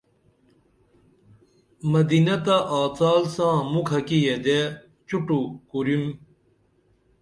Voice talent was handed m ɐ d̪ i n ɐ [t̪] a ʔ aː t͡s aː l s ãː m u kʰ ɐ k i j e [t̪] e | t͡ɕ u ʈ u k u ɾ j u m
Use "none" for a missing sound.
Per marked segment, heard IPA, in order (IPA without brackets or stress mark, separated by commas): t̪, d̪